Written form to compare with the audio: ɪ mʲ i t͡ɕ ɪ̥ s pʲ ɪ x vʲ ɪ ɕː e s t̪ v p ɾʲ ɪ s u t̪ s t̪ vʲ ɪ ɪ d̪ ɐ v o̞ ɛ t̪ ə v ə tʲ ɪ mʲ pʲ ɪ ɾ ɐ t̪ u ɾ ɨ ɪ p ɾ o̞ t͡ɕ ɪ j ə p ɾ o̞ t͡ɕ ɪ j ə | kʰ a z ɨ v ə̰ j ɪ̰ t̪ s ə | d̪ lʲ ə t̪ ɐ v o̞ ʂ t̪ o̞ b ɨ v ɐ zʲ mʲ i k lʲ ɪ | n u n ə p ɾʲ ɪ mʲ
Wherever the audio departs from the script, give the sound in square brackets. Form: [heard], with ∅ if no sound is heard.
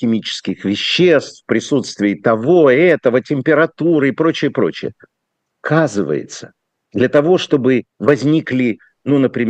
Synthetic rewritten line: ɪ mʲ i t͡ɕ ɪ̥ s [kʲ] ɪ x vʲ ɪ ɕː e s t̪ [f] p ɾʲ ɪ s u t̪ s t̪ vʲ ɪ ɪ [t̪] ɐ v o̞ ɛ t̪ ə v ə tʲ ɪ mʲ pʲ ɪ ɾ ɐ t̪ u ɾ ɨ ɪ p ɾ o̞ t͡ɕ ɪ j ə p ɾ o̞ t͡ɕ ɪ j ə | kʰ a z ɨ v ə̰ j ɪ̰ t̪ s ə | d̪ lʲ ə t̪ ɐ v o̞ ʂ t̪ o̞ b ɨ v ɐ zʲ [nʲ] i k lʲ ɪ | n u n ə p ɾʲ ɪ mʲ